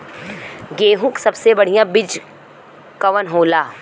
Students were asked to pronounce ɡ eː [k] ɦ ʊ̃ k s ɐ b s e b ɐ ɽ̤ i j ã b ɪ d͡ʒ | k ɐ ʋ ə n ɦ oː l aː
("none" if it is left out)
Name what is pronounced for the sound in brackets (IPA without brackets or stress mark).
none